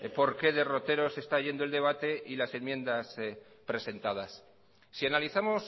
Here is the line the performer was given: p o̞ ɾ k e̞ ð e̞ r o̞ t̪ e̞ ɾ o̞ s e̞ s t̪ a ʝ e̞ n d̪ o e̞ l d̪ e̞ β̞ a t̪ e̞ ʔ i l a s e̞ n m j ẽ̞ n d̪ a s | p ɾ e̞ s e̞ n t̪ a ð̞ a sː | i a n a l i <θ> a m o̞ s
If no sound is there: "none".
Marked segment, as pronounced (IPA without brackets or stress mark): θ